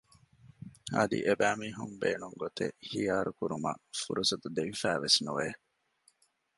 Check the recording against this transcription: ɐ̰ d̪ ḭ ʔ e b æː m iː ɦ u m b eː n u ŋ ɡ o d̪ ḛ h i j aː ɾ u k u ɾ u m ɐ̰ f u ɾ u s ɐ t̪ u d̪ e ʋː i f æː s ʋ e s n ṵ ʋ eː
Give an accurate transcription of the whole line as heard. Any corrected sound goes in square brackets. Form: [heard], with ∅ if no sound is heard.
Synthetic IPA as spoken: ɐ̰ d̪ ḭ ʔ e b æː m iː ɦ u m b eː n u ŋ ɡ o [t̪] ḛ h i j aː ɾ u k u ɾ u m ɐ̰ f u ɾ u s ɐ t̪ u d̪ e [ʋ] i f æː [∅] ʋ e s n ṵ ʋ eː